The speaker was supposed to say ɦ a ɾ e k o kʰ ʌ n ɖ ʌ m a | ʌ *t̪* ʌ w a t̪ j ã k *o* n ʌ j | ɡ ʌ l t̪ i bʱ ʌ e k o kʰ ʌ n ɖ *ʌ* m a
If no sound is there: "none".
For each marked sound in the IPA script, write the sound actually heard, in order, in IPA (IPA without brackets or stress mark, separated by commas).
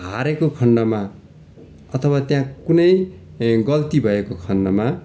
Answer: t̪ʰ, u, ʌ